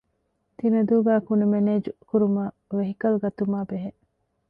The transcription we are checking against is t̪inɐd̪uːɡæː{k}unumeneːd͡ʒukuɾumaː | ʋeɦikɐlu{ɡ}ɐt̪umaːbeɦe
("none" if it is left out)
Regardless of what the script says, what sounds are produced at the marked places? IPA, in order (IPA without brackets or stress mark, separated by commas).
k, ɡ